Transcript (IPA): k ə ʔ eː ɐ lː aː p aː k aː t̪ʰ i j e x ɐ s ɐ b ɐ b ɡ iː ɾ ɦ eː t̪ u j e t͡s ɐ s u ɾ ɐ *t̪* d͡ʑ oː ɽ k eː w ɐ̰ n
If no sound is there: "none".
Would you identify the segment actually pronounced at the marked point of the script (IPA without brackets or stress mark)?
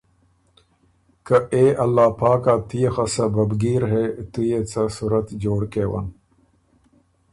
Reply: t̪